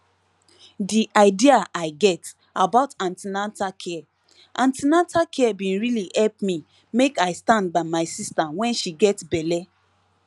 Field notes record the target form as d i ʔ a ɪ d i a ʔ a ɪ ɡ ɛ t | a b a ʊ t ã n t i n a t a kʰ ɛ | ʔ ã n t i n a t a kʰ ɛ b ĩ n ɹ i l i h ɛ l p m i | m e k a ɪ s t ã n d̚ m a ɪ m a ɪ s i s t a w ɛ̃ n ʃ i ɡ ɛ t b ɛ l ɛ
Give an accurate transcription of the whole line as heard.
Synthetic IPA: d i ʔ a ɪ d i a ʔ a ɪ ɡ ɛ t | a b a ʊ t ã n t i n a t a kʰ ɛ | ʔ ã n t i n a t a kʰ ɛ b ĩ n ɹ i l i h ɛ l p m i | m e k a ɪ s t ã n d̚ b a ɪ m a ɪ s i s t a w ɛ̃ n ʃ i ɡ ɛ t b ɛ l ɛ

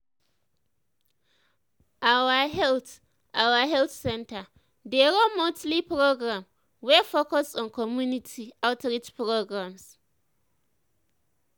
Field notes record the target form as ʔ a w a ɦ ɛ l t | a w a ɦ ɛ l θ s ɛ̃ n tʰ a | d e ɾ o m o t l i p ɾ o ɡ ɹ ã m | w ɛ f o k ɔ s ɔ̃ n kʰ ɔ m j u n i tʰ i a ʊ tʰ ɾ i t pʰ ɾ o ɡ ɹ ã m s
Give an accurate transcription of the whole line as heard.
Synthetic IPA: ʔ a w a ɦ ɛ l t | a w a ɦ ɛ l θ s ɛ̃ n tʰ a | d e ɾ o m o t l i p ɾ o ɡ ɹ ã m | w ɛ f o k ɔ s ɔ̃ n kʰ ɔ m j u n i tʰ i a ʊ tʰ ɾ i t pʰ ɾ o ɡ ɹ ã m s

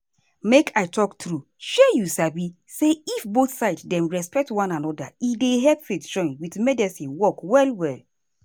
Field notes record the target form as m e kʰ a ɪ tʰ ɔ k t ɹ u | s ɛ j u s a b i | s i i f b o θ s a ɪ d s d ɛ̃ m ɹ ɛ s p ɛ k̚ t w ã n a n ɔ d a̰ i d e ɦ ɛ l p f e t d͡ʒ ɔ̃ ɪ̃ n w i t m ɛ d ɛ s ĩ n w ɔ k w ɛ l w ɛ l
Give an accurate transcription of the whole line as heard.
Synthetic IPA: m e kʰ a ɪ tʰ ɔ k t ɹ u | ʃ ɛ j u s a b i | s e i f b o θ s a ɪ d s d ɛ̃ m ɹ ɛ s p ɛ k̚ t w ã n a n ɔ d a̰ i d e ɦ ɛ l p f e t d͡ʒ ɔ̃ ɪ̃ n w i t m ɛ d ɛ s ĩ n w ɔ k w ɛ l w ɛ l

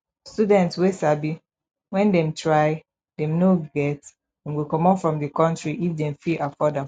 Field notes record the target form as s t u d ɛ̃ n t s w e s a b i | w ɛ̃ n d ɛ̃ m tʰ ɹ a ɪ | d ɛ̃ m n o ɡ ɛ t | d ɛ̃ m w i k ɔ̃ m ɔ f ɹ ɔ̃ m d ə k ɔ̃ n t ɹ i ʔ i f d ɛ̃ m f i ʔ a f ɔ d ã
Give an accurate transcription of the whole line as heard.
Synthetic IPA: s t u d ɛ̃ n t s w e s a b i | w ɛ̃ n d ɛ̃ m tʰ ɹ a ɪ | d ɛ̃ m n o ɡ ɛ t | d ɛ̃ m w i k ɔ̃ m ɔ f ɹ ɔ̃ m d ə k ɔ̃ n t ɹ i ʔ i f d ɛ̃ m f i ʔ a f ɔ d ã

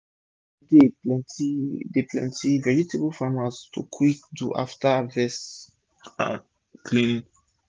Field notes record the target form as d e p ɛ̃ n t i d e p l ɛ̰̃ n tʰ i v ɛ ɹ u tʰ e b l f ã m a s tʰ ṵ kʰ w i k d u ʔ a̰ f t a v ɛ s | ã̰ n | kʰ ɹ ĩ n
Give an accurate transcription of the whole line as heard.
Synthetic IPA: d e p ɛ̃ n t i d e p l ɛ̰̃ n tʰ i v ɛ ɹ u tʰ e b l f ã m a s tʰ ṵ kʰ w i k d u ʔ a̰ f t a v ɛ s | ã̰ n | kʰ l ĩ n

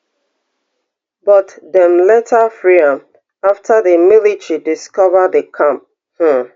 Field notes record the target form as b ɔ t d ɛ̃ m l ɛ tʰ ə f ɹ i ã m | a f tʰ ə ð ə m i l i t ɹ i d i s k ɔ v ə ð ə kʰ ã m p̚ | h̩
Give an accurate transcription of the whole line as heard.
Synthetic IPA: b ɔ t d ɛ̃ m l ɛ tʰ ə f ɹ i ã m | a f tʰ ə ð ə m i l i t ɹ i d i s k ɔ v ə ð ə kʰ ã m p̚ | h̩

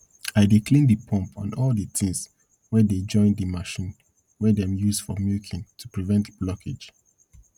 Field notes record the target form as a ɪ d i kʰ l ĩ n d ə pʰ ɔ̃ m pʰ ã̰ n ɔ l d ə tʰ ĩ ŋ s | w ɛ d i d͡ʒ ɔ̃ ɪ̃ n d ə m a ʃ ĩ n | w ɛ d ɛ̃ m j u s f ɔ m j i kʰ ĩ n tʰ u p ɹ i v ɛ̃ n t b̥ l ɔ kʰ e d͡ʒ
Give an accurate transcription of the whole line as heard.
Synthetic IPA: a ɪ d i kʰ l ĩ n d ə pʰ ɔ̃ m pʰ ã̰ n ɔ l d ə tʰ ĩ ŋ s | w ɛ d e d͡ʒ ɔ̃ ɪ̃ n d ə m a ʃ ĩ n | w ɛ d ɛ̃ m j u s f ɔ m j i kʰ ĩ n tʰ u p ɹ i v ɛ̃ n t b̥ l ɔ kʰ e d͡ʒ

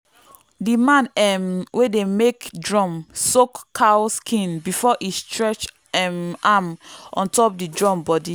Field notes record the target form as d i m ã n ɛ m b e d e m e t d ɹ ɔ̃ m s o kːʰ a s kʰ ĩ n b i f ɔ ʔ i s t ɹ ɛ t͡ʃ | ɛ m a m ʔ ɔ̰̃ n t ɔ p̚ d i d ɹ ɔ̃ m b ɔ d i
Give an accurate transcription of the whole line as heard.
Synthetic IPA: d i m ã n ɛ m w e d e m e k d ɹ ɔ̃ m s o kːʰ a s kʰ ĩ n b i f ɔ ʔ i s t ɹ ɛ t͡ʃ | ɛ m a m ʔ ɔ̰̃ n t ɔ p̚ d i d ɹ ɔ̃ m b ɔ d i

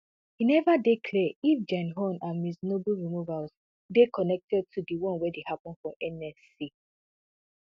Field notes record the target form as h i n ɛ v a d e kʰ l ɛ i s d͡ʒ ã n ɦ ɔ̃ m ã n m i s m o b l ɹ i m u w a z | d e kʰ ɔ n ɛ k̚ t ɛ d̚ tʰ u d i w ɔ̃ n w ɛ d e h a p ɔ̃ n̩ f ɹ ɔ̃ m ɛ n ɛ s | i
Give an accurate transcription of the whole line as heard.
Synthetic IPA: h i n ɛ v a d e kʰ l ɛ i f d͡ʒ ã n ɦ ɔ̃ n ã n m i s n o b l ɹ i m u v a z | d e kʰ ɔ n ɛ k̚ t ɛ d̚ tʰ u d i w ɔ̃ n w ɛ d e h a p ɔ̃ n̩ f ɹ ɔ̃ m ɛ n ɛ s | i

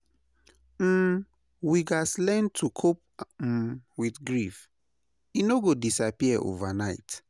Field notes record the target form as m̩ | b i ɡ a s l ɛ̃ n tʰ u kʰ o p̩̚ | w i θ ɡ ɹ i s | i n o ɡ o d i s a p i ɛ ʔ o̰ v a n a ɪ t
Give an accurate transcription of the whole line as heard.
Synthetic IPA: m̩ | w i ɡ a s l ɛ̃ n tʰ u kʰ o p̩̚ | w i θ ɡ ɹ i f | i n o ɡ o d i s a p i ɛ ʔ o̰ v a n a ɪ t

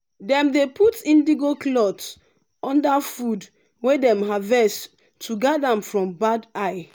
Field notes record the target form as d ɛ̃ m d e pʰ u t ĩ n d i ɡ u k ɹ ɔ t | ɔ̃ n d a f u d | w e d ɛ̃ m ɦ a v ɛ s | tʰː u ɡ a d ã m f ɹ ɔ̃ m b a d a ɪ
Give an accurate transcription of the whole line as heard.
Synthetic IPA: d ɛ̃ m d e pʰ u t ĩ n d i ɡ o k l ɔ t | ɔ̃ n d a f u d | w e d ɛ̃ m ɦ a v ɛ s | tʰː u ɡ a d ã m f ɹ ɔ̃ m b a d a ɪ

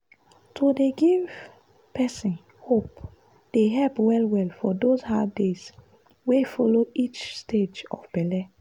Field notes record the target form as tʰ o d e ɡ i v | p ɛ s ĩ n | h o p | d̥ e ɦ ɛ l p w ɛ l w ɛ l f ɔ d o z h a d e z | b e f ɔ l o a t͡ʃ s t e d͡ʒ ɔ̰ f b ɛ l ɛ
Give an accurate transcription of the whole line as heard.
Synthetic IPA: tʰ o d e ɡ i v | p ɛ s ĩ n | h o p | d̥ e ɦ ɛ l p w ɛ l w ɛ l f ɔ d o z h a d e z | w e f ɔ l o i t͡ʃ s t e d͡ʒ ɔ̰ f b ɛ l ɛ

